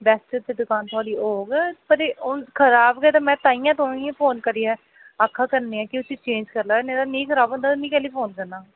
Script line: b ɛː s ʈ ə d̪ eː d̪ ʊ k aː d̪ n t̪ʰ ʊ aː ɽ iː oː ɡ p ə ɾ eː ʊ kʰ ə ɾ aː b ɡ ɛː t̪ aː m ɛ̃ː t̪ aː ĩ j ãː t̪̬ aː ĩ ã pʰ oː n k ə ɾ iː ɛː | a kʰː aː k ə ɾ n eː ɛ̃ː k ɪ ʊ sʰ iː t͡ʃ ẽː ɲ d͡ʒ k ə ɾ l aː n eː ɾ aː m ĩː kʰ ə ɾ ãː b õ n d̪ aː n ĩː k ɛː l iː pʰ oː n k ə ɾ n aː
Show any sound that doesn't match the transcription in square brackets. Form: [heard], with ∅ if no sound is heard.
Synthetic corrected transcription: b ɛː s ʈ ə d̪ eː d̪ ʊ k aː [∅] n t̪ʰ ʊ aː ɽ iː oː ɡ p ə ɾ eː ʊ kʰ ə ɾ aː b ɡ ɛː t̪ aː m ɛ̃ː t̪ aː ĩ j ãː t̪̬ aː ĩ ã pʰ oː n k ə ɾ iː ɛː | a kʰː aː k ə ɾ n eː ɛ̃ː k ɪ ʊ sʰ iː t͡ʃ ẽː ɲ d͡ʒ k ə ɾ l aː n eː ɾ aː [n] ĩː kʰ ə ɾ [aː] b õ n d̪ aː n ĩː k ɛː l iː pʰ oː n k ə ɾ n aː